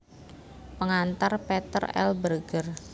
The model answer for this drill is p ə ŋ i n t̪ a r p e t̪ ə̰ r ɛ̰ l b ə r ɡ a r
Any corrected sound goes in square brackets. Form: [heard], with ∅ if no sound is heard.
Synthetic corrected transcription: p ə ŋ [a] n t̪ a r p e t̪ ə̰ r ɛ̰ l b ə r ɡ [ə] r